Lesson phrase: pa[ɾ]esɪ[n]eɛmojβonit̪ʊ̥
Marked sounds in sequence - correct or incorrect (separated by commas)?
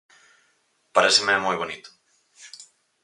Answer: correct, incorrect